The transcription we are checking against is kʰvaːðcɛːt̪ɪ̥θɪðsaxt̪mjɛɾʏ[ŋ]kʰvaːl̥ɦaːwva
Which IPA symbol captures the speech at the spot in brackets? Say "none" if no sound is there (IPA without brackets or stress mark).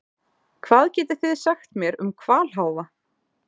m